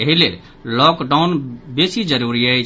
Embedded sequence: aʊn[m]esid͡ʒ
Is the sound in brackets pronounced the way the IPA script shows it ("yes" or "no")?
no